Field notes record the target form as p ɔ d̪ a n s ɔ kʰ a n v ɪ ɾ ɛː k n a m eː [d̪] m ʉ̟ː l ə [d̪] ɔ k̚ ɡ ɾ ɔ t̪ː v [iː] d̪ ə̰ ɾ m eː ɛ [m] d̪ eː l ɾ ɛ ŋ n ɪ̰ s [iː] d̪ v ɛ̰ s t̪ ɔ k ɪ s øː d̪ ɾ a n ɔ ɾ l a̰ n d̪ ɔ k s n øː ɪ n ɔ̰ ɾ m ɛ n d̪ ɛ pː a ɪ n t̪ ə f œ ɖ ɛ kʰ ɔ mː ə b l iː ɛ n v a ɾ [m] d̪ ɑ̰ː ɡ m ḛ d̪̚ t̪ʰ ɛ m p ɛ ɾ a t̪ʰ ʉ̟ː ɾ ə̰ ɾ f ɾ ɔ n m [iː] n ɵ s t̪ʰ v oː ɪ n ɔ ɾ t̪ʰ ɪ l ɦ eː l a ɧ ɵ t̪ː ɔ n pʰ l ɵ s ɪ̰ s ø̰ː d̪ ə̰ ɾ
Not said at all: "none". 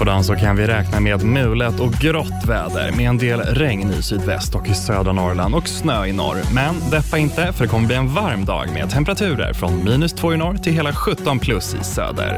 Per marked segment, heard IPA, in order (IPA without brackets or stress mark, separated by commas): d̪, t̪, ɛː, n, yː, m, iː